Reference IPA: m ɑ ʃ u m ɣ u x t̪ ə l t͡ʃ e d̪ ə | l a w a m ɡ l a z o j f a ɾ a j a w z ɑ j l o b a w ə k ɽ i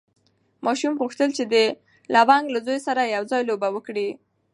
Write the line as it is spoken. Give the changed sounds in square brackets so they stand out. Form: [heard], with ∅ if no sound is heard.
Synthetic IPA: m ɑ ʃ u m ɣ u x t̪ ə l t͡ʃ e d̪ ə | l a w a [ŋ] ɡ l a z o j [s] a ɾ a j a w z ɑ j l o b a w ə k ɽ i